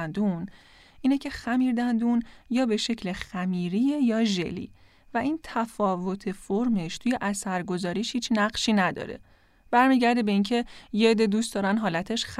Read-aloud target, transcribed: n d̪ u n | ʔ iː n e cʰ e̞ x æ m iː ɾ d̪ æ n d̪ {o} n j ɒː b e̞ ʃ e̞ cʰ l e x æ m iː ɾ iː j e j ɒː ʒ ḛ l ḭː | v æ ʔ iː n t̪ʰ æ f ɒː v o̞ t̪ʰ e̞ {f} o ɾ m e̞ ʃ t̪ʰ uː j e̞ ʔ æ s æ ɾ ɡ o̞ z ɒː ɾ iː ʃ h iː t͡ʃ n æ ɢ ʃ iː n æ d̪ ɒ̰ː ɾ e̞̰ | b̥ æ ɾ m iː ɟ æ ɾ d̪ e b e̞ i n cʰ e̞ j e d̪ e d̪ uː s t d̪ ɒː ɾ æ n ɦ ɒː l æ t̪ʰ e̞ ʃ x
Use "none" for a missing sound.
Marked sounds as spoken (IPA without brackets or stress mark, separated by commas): u, f